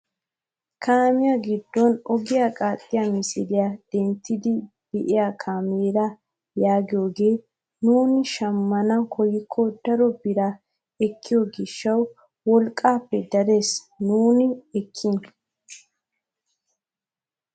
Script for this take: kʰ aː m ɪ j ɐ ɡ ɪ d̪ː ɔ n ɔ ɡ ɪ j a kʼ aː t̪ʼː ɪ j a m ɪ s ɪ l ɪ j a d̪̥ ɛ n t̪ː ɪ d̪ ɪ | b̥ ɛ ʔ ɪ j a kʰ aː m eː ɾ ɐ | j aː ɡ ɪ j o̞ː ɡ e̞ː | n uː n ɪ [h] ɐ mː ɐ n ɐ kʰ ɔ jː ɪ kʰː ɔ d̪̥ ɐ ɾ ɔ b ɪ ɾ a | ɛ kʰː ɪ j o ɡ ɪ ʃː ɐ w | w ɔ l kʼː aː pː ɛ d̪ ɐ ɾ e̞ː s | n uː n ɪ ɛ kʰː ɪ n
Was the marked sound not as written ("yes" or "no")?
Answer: yes